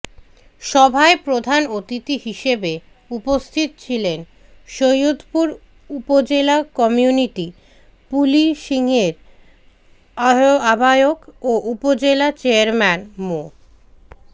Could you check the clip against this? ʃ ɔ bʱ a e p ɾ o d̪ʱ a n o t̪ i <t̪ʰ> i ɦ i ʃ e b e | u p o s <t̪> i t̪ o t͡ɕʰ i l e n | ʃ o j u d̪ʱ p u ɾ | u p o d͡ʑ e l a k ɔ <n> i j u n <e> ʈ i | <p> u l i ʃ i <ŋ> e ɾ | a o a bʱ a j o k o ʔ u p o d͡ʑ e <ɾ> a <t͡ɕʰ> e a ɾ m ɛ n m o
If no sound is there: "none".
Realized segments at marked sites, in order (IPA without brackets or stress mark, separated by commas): t̪, t̪ʰ, m, i, p, ŋ, l, t͡ɕ